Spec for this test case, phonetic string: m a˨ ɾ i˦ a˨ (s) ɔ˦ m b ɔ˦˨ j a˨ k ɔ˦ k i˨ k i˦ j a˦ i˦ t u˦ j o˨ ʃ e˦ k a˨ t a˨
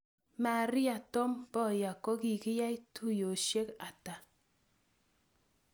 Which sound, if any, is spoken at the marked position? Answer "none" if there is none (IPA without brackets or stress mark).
t